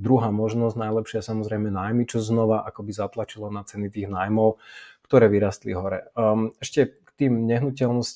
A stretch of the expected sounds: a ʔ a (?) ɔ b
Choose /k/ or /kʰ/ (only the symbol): k